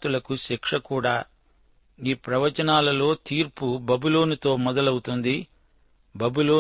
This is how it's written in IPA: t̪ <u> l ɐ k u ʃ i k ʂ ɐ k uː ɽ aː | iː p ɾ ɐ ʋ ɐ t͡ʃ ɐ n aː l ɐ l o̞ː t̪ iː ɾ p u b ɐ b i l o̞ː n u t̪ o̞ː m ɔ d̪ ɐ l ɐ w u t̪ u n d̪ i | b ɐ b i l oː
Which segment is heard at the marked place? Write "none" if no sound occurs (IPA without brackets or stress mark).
u